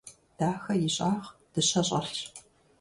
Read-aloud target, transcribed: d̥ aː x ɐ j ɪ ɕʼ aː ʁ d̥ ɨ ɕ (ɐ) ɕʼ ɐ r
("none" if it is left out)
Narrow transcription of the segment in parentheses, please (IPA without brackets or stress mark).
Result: ɐ